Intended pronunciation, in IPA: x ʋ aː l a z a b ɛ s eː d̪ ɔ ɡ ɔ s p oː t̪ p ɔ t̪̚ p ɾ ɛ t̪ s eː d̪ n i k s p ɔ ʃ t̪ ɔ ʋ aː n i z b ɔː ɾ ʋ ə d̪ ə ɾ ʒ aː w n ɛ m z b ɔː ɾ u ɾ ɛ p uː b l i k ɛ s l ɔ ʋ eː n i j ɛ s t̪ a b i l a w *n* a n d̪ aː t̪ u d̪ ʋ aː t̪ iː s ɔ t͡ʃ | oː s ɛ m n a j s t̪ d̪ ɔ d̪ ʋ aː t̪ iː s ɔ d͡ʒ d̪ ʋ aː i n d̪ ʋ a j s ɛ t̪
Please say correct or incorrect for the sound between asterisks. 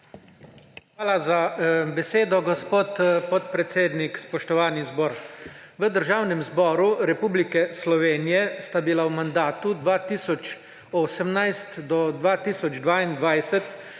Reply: incorrect: m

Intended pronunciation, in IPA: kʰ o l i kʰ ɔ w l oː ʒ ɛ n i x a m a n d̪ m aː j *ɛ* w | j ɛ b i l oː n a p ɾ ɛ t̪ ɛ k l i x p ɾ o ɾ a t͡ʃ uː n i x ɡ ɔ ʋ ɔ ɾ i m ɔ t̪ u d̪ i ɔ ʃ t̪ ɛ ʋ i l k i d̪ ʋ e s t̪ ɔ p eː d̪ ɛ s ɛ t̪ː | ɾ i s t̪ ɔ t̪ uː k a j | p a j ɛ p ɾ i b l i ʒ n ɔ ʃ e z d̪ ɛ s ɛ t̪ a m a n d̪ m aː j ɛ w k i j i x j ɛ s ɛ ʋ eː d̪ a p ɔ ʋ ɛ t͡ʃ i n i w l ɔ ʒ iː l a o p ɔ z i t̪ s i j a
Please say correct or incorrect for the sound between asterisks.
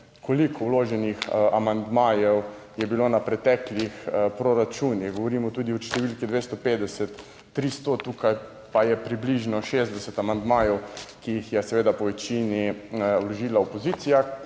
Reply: correct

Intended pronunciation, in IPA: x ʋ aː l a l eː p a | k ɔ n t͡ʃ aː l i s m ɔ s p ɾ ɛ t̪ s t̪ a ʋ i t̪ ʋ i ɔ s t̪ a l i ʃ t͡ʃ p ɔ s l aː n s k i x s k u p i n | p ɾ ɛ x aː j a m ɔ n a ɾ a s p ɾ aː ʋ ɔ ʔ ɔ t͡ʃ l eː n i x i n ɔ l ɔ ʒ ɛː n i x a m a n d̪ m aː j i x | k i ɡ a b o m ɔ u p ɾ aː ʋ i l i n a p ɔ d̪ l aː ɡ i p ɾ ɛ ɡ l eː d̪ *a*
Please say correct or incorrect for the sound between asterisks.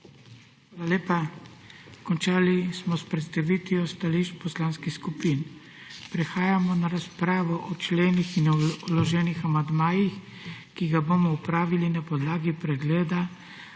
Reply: correct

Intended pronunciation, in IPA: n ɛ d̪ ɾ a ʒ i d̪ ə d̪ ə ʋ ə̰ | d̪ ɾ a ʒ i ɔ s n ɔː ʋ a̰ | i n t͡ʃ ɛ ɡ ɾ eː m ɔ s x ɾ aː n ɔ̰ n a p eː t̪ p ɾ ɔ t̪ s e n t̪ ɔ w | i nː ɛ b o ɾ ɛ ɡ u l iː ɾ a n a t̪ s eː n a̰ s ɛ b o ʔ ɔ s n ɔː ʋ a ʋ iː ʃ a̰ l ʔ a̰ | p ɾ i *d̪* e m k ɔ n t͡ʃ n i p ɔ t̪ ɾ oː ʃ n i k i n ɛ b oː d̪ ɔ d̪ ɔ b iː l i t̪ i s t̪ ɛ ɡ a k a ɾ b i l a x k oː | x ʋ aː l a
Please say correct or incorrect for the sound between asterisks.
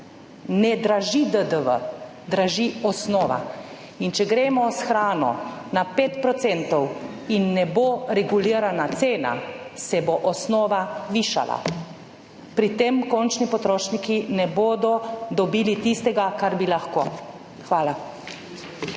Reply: incorrect: t̪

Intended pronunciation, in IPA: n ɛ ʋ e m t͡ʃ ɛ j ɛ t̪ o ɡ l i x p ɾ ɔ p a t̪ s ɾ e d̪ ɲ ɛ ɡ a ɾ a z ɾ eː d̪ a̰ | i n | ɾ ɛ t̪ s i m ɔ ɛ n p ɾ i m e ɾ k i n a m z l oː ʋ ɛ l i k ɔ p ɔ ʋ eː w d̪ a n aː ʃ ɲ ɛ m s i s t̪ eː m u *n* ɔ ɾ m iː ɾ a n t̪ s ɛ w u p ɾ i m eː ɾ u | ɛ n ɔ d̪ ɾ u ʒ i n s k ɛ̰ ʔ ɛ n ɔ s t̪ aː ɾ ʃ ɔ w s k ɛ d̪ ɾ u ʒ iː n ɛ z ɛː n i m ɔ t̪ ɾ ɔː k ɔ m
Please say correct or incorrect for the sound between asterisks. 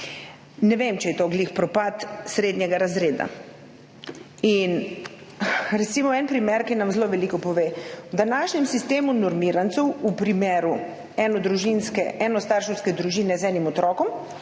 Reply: correct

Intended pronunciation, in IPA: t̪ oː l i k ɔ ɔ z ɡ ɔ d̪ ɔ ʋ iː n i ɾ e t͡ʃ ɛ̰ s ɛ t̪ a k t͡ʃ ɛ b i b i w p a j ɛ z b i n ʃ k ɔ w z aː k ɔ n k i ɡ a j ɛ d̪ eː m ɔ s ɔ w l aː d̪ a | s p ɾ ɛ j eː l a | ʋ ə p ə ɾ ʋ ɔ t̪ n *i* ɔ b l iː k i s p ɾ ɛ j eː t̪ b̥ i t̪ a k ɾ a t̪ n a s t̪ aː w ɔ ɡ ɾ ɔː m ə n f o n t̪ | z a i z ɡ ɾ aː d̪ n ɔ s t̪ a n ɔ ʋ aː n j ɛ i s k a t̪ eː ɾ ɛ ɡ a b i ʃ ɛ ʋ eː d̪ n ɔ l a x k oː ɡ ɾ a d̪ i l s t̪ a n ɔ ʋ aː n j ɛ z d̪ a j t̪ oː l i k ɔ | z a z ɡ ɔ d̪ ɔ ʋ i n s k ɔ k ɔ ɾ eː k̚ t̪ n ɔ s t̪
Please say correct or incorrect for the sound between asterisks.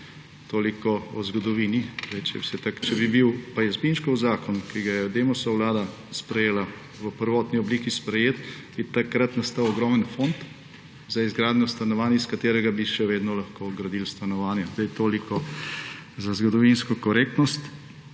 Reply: correct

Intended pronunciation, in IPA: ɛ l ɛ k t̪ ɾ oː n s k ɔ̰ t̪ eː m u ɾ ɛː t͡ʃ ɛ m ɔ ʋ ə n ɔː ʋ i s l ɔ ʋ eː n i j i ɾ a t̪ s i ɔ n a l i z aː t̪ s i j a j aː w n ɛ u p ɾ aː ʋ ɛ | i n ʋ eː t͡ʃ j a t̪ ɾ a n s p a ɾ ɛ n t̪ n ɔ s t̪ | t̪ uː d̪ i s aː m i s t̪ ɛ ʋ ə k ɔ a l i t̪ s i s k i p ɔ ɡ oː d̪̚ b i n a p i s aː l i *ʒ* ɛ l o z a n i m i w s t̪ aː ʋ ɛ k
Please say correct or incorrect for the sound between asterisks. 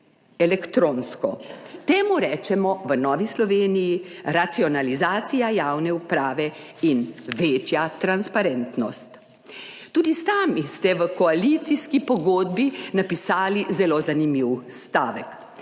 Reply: incorrect: z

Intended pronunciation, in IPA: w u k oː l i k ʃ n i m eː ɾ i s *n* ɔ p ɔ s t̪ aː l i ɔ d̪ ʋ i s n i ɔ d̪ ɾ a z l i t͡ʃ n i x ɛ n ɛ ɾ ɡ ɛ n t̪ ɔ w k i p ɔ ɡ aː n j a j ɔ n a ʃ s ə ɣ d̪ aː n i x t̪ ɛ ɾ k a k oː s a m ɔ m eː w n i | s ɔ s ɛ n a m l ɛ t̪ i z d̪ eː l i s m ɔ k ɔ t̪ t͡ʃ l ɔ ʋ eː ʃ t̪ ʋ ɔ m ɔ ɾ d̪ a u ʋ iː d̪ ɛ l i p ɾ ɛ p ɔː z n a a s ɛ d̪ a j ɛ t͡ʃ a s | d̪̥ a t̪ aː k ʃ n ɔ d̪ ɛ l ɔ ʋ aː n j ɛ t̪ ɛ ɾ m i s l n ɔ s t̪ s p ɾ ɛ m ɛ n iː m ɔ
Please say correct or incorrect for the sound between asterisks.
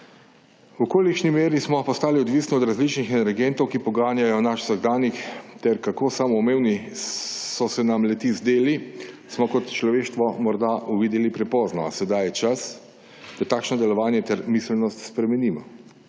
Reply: incorrect: m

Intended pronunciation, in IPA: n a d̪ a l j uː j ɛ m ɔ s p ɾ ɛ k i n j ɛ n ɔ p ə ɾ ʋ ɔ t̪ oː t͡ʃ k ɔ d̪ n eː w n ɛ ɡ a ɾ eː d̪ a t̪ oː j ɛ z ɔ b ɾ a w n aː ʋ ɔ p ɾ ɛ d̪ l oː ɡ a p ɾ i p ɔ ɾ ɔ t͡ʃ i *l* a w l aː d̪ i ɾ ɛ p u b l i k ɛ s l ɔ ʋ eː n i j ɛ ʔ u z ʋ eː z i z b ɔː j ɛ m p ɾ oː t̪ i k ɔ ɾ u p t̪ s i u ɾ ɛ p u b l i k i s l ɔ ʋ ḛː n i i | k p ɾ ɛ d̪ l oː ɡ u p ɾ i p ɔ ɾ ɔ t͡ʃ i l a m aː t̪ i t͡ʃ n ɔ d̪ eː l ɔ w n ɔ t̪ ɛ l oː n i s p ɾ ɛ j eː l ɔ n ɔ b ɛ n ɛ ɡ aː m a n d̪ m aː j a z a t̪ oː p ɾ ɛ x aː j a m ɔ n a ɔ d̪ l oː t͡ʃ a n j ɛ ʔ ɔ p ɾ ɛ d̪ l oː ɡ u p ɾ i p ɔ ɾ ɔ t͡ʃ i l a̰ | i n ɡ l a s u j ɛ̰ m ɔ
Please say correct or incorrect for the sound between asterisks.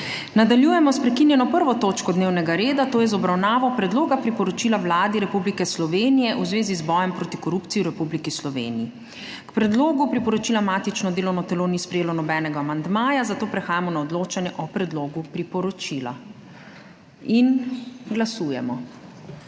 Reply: correct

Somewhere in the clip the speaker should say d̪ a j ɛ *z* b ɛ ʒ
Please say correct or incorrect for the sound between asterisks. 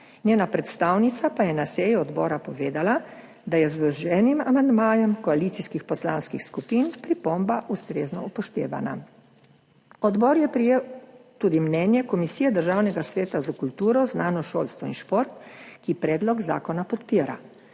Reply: correct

